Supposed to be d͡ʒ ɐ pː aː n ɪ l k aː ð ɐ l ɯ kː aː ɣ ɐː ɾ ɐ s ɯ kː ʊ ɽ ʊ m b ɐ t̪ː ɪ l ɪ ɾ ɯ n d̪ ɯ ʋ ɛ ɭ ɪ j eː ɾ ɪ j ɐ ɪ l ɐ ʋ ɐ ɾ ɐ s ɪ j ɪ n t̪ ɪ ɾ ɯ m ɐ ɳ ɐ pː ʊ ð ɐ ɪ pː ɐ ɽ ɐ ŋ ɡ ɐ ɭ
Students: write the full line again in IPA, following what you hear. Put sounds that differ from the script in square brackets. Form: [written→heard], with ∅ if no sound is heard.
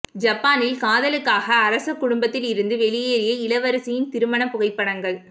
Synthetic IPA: d͡ʒ ɐ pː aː n ɪ l k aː ð ɐ l ɯ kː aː ɣ ɐː ɾ ɐ s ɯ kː ʊ ɽ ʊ m b ɐ t̪ː ɪ l ɪ ɾ ɯ n d̪ ɯ ʋ ɛ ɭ ɪ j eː ɾ ɪ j ɐ ɪ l ɐ ʋ ɐ ɾ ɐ s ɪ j ɪ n t̪ ɪ ɾ ɯ m ɐ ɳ ɐ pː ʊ [ð→ɣ] ɐ ɪ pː ɐ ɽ ɐ ŋ ɡ ɐ ɭ